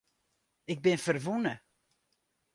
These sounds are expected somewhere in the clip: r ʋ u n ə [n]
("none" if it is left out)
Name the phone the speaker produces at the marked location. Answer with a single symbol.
none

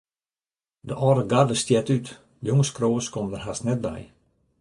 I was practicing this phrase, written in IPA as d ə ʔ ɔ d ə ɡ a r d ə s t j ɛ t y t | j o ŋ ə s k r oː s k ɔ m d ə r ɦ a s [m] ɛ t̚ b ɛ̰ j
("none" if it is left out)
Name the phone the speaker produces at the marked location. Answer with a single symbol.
n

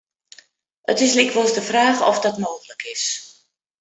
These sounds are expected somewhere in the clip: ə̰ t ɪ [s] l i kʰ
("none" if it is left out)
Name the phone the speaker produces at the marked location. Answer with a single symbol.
s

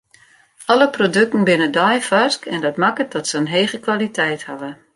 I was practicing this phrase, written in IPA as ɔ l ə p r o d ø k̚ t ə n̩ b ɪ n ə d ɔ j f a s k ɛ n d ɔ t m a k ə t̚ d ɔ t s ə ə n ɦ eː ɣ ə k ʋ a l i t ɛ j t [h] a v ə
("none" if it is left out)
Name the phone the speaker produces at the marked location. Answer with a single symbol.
h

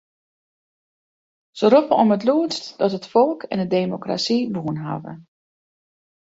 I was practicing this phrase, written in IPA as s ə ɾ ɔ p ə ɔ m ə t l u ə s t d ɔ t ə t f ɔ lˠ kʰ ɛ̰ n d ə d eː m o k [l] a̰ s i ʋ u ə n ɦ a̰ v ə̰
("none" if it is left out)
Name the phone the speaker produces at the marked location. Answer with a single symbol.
r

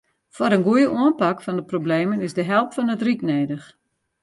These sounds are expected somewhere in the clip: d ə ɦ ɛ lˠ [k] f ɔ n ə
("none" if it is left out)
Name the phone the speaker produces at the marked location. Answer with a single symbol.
p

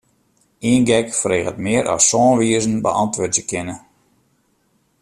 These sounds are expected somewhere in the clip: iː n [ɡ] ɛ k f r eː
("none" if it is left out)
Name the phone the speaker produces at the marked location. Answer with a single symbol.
ɡ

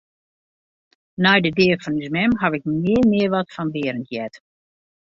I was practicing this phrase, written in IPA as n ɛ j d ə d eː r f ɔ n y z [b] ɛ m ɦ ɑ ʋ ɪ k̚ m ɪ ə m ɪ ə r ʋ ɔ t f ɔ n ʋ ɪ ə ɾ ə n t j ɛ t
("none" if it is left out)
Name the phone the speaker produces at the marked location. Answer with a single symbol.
m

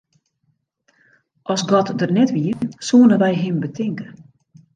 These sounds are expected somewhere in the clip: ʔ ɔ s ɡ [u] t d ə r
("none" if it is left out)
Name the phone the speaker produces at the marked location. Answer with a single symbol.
ɔ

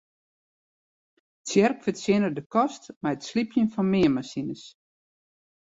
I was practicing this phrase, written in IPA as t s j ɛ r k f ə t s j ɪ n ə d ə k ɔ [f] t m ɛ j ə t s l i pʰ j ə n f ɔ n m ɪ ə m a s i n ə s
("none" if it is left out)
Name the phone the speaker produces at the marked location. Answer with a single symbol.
s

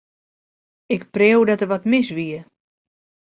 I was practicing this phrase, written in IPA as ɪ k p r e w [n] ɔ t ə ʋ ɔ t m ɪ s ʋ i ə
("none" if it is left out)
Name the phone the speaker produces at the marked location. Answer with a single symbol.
d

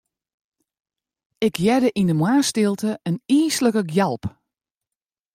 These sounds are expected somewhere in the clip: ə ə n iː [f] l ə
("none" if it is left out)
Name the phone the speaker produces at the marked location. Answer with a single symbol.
s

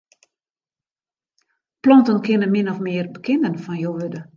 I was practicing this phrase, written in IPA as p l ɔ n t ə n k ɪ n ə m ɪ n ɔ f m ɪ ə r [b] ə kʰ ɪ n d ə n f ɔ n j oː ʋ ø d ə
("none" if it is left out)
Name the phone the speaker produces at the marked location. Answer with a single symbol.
b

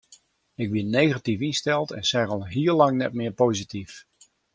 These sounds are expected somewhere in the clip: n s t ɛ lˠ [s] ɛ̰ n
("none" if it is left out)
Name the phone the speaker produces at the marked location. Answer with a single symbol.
t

